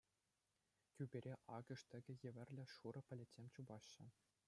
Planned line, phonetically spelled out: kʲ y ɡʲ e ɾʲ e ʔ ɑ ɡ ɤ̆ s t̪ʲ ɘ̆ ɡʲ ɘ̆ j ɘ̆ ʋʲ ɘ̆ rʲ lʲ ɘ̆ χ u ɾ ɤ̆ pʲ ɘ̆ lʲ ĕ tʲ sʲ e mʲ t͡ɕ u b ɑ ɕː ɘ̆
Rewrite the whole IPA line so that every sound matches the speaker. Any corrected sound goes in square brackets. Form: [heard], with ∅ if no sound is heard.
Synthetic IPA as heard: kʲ y [bʲ] e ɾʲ e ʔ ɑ ɡ ɤ̆ [ʂ] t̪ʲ ɘ̆ ɡʲ ɘ̆ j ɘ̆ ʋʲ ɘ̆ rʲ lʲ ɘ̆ [ʂ] u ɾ ɤ̆ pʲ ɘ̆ lʲ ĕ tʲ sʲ e mʲ t͡ɕ u b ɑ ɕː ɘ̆